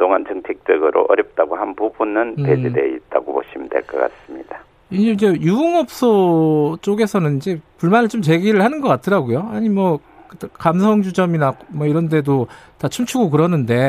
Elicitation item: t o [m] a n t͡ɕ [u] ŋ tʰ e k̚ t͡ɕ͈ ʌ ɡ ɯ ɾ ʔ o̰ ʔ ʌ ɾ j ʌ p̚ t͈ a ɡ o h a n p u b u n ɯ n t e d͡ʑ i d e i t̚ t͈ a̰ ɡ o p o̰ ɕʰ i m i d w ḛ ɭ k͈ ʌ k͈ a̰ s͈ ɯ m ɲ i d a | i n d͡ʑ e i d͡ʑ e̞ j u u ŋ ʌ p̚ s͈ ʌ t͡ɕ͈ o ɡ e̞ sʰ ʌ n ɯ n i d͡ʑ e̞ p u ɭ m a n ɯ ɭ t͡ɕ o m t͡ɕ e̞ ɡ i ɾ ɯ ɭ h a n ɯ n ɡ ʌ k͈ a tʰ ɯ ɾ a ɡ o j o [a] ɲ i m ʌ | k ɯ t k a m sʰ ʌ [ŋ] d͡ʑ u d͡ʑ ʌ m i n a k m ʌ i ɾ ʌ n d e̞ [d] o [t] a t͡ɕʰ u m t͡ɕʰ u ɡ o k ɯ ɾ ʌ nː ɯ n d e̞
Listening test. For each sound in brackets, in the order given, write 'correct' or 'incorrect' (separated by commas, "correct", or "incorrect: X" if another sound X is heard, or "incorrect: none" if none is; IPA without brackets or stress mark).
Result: incorrect: ŋ, incorrect: ɯ, correct, correct, correct, correct